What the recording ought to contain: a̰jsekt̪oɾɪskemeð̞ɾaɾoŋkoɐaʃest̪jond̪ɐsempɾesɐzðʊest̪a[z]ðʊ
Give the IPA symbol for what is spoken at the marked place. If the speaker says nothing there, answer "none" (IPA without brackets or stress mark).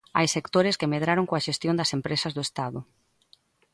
none